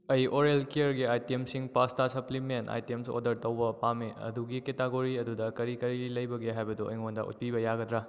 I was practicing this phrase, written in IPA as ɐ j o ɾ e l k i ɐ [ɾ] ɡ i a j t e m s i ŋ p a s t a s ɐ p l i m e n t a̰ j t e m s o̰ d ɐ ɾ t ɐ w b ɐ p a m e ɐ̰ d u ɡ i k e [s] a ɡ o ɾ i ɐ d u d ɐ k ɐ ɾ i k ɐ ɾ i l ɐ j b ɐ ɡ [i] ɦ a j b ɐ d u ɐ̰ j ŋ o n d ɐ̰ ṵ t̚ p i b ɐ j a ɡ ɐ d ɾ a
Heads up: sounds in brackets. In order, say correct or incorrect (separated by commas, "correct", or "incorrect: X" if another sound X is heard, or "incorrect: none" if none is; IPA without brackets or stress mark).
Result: correct, incorrect: t, incorrect: e